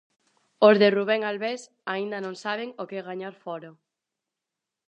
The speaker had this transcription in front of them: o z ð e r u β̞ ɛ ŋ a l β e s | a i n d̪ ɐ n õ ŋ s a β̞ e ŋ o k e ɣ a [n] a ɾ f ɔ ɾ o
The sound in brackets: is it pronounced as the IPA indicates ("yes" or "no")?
no